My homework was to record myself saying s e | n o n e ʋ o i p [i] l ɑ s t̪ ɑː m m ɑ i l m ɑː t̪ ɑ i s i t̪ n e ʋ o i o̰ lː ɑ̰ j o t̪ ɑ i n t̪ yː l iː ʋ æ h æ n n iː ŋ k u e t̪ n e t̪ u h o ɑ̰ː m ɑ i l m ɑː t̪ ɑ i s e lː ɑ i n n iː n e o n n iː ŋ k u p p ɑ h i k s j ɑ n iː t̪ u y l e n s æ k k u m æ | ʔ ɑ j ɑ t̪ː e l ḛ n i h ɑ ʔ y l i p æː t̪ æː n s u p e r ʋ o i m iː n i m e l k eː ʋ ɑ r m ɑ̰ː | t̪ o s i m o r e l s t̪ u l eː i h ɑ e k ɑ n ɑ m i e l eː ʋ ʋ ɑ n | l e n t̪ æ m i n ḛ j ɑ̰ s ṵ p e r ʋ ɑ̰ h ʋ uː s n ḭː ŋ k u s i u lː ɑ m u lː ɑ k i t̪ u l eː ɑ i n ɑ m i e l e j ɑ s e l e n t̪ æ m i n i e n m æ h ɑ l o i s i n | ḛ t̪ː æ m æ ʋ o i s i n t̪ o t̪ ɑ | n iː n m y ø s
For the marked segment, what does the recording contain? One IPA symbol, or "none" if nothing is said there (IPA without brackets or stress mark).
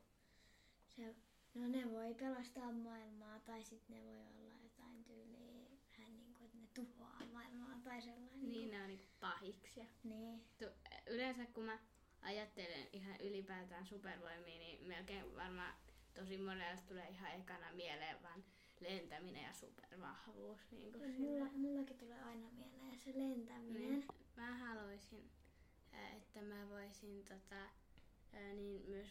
e